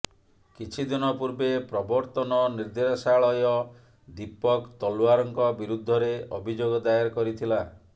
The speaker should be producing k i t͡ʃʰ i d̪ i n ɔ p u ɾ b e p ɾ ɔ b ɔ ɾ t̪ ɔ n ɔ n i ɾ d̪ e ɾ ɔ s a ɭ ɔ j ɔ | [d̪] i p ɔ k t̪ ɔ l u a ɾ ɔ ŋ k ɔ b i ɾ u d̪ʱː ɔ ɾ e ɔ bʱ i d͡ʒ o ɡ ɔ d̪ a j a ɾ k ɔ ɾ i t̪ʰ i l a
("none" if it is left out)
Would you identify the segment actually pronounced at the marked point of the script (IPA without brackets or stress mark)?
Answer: d̪